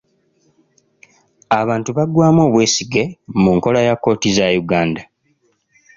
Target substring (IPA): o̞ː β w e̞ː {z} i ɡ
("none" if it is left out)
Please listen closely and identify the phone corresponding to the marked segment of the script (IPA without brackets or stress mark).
s